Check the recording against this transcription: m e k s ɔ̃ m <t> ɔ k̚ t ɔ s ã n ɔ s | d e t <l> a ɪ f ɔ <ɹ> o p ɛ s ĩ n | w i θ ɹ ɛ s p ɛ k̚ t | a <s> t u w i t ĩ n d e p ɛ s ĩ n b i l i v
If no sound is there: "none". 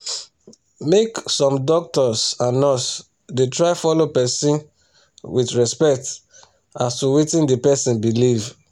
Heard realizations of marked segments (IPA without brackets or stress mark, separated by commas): d, ɹ, l, s